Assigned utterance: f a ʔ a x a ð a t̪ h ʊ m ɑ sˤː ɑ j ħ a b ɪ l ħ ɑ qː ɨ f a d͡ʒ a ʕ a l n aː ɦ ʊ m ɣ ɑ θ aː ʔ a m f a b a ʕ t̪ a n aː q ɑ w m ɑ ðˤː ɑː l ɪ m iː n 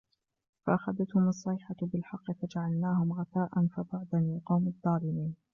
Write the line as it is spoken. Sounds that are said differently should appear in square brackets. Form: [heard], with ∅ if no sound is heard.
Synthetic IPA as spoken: f a ʔ a x a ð a t̪ h ʊ m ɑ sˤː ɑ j ħ a b ɪ l ħ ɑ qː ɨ f a d͡ʒ a ʕ a l n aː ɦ ʊ m ɣ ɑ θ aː ʔ a [n] f a b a ʕ [d̪] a n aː q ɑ w m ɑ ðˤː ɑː l ɪ m iː n